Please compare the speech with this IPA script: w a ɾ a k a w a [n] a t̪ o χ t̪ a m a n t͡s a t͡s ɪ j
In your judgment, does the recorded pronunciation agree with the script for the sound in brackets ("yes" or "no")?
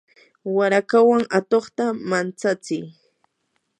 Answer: no